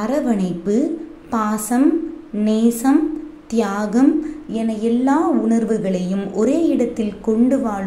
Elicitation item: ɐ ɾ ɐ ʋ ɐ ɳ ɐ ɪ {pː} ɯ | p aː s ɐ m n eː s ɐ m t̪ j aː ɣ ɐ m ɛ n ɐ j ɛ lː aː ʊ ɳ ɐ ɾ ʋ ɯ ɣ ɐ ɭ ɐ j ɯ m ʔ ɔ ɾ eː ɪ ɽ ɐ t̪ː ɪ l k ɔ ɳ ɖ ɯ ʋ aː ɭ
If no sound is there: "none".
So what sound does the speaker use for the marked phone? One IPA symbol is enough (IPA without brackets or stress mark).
pː